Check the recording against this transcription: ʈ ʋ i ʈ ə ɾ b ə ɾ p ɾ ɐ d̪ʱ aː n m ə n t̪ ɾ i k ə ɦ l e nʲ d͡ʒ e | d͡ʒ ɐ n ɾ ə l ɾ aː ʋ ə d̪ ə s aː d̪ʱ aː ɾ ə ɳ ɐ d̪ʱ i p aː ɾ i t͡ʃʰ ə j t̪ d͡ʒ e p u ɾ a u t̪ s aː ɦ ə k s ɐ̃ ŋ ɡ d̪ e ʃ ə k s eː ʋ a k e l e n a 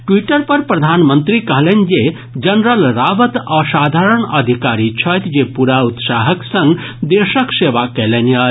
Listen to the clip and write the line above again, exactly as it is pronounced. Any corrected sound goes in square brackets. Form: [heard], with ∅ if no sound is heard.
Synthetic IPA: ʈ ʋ i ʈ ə ɾ [p] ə ɾ p ɾ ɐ d̪ʱ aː n m ə n t̪ ɾ i k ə ɦ l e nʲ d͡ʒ e | d͡ʒ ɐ n ɾ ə l ɾ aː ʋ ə [t̪] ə s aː d̪ʱ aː ɾ ə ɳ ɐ d̪ʱ i [k] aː ɾ i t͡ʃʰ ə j t̪ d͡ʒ e p u ɾ a u t̪ s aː ɦ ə k s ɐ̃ ŋ ɡ d̪ e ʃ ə k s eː ʋ a k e l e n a